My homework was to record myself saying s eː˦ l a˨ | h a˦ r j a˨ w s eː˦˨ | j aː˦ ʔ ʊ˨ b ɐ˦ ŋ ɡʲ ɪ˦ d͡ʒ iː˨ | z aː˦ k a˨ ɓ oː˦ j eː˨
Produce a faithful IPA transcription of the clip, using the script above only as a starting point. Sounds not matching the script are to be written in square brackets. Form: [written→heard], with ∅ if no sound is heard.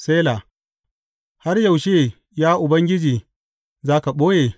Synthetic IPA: s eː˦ l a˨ | h a˦ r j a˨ w [s→ʃ] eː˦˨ | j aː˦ ʔ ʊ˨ b ɐ˦ ŋ ɡʲ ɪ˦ d͡ʒ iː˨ | z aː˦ k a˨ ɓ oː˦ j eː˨